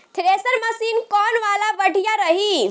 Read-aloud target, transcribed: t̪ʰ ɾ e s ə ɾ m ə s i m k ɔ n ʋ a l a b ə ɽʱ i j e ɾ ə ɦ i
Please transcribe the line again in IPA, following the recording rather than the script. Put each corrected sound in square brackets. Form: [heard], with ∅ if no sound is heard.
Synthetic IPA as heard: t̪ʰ ɾ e s ə ɾ m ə s i [n] k ɔ n ʋ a l a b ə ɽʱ i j [a] ɾ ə ɦ i